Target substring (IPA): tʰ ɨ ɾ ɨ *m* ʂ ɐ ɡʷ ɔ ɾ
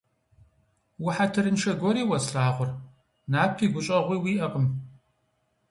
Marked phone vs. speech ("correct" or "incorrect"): incorrect